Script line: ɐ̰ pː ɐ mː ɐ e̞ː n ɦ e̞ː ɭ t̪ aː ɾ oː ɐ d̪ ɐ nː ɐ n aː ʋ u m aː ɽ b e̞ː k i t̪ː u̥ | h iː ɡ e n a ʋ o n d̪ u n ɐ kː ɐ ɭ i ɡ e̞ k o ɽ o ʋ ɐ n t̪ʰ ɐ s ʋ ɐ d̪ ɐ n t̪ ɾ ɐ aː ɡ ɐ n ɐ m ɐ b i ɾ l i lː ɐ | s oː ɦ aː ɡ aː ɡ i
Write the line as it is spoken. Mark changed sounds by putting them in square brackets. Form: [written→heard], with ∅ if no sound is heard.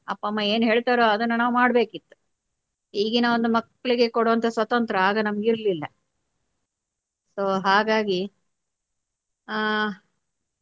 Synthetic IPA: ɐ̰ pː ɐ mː ɐ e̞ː n ɦ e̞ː ɭ t̪ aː ɾ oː ɐ d̪ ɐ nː ɐ n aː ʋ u m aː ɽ b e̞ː k i t̪ː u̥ | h iː ɡ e n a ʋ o n d̪ u [n→m] ɐ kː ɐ ɭ i ɡ e̞ k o ɽ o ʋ ɐ n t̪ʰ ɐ s ʋ ɐ [d̪→t̪] ɐ n t̪ ɾ ɐ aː ɡ ɐ n ɐ m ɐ [b→ɡ] i ɾ l i lː ɐ | s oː ɦ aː ɡ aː ɡ i